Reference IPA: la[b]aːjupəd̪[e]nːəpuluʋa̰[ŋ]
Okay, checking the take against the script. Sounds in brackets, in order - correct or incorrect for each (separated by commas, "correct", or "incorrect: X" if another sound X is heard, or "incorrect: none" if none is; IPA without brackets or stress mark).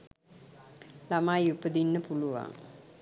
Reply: incorrect: m, incorrect: i, correct